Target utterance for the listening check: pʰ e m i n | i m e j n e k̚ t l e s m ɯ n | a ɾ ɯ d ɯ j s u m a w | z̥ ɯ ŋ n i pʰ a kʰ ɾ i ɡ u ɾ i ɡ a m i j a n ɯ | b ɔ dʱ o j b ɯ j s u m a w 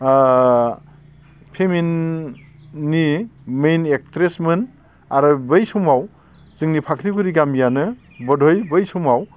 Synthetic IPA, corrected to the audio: pʰ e m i n | i m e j n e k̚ t ɾ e s m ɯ n | a ɾ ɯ b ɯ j s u m a w | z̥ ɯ ŋ n i pʰ a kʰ ɾ i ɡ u ɾ i ɡ a m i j a n ɯ | b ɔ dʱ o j b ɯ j s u m a w